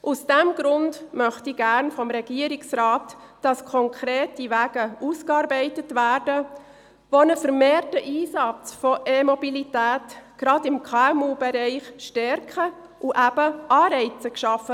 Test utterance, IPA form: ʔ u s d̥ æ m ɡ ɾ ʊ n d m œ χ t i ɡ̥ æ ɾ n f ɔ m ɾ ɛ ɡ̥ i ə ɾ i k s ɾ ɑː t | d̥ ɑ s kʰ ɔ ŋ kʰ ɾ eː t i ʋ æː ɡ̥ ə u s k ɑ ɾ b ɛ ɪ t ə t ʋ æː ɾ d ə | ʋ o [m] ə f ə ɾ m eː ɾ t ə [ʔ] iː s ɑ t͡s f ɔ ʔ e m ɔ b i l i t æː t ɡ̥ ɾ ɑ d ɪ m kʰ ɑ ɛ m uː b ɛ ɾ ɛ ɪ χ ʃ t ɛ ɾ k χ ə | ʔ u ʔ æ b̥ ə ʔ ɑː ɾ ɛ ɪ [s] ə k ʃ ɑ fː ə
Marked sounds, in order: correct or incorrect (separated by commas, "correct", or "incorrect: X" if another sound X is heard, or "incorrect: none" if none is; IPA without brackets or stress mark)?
incorrect: n, correct, incorrect: t͡s